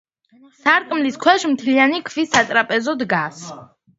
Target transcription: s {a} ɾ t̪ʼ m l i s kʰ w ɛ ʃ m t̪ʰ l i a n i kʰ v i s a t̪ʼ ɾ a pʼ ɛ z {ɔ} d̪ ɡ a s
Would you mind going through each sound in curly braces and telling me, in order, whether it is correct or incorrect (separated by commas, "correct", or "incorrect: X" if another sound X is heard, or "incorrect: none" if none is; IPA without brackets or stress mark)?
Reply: correct, correct